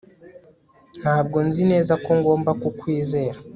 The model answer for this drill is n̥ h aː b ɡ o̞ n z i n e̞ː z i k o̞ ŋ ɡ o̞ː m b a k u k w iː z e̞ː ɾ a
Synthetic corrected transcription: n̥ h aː b ɡ o̞ n z i n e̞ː z a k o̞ ŋ ɡ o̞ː m b a k u k w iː z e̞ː ɾ a